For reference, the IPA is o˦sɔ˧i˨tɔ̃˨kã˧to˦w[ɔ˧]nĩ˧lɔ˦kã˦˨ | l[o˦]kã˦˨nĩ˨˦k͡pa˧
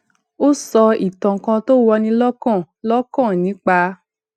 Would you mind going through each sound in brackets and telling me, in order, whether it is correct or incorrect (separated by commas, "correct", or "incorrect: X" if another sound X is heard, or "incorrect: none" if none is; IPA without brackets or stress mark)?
correct, incorrect: ɔ˦